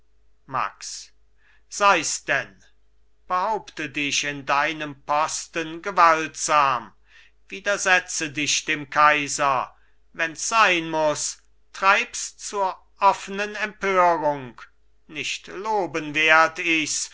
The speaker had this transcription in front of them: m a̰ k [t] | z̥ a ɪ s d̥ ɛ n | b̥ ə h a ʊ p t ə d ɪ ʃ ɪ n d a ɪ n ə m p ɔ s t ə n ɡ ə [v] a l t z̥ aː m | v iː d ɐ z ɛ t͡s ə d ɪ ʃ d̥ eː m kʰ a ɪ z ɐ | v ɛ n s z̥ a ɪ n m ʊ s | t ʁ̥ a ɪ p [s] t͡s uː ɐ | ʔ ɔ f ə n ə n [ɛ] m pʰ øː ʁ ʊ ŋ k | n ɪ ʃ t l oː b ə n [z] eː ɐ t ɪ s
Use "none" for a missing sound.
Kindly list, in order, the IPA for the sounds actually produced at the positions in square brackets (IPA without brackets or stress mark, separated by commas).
s, v, s, ɛ, v